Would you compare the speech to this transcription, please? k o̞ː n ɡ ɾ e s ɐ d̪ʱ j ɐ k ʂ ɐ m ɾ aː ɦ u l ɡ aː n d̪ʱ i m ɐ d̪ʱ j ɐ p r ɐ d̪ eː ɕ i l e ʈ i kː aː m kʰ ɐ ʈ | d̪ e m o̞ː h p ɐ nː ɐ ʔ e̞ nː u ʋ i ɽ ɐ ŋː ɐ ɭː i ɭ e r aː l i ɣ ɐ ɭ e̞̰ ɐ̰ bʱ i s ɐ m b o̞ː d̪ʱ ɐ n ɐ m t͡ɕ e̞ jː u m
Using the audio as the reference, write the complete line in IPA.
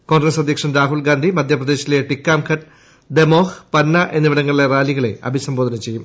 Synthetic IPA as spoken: k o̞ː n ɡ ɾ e s ɐ d̪ʱ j ɐ k ʂ ɐ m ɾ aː ɦ u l ɡ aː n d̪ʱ i m ɐ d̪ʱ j ɐ p r ɐ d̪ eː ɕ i l e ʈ i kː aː m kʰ ɐ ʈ | d̪ e m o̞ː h p ɐ nː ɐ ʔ e̞ nː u ʋ i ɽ ɐ ŋː ɐ ɭ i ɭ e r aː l i ɣ ɐ ɭ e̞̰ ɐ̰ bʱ i s ɐ m b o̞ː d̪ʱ ɐ n ɐ m t͡ɕ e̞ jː u m